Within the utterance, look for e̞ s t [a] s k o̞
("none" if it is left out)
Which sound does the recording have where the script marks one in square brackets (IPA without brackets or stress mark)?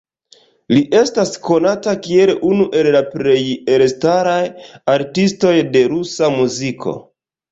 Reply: a